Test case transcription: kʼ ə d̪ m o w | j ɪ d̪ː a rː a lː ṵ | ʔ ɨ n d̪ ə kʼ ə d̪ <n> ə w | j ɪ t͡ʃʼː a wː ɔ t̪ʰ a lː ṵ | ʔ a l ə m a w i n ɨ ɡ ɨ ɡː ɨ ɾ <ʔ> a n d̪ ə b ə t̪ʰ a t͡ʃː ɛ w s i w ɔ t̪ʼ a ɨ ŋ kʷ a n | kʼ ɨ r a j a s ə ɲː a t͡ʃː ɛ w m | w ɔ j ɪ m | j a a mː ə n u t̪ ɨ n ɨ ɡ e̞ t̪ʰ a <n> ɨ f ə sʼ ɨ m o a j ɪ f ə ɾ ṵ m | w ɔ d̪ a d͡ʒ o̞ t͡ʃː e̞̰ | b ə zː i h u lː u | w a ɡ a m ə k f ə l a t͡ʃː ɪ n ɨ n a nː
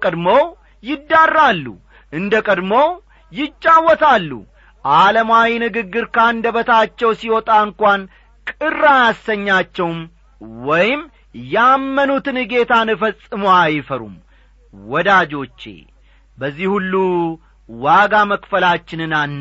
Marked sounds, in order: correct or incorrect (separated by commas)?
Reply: incorrect, incorrect, correct